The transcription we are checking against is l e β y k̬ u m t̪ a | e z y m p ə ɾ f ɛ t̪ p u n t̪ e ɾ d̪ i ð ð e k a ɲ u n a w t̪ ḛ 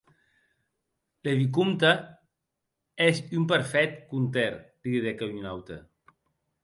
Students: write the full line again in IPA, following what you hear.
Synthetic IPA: l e β i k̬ u m t̪ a | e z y m p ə ɾ f ɛ t̪ k u n t̪ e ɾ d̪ i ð ð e k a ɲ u n a w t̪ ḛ